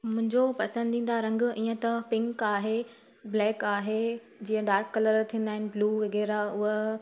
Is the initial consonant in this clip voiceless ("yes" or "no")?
no